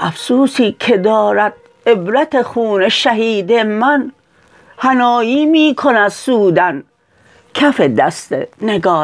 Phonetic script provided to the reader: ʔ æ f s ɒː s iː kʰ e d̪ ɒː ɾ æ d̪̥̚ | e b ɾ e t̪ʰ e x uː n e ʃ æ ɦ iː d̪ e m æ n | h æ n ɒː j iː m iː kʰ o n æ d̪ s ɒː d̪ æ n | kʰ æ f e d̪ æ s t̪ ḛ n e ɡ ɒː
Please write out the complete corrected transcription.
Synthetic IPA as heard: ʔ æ f s uː s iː kʰ e d̪ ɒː ɾ æ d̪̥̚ | e b ɾ æ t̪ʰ e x uː n e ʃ æ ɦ iː d̪ e m æ n | h æ n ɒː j iː m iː kʰ o n æ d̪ s uː d̪ æ n | kʰ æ f e d̪ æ s t̪ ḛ n e ɡ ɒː